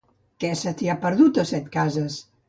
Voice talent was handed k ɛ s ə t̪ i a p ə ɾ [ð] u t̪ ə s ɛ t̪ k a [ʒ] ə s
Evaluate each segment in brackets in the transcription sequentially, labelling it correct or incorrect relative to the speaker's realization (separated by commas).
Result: correct, incorrect